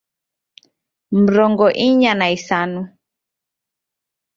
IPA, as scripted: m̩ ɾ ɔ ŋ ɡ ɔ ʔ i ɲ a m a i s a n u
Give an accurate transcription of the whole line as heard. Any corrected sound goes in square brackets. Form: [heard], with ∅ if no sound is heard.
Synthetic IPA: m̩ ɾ ɔ ŋ ɡ ɔ ʔ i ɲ a [n] a i s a n u